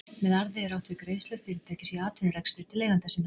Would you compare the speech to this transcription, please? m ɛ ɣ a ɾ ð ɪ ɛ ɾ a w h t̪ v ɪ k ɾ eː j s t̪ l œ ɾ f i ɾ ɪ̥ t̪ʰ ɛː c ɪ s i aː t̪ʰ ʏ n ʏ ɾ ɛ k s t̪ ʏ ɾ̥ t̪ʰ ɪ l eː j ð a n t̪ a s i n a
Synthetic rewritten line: m ɛ ð a ɾ ð ɪ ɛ ɾ a w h t̪ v ɪ k ɾ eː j s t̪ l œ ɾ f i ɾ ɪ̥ t̪ʰ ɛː c ɪ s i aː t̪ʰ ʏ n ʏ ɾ ɛ k s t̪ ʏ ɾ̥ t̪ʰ ɪ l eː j ɣ a n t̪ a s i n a